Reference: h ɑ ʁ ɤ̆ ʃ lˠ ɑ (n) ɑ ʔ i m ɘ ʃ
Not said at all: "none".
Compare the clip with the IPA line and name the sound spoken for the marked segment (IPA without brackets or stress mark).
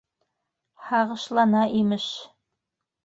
n